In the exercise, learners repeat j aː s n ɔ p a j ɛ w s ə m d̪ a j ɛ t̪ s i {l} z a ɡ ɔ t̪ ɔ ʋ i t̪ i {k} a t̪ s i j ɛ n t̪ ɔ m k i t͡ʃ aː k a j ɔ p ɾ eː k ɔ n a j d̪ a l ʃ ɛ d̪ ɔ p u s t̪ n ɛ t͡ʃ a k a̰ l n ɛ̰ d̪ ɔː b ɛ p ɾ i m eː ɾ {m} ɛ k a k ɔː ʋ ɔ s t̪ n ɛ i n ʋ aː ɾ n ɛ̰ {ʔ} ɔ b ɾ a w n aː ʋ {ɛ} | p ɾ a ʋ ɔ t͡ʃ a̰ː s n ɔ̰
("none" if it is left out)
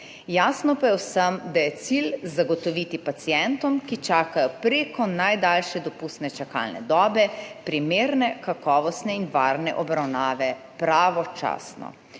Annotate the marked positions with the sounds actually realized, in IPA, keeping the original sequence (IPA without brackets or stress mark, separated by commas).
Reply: l, p, n, ʔ, ɛ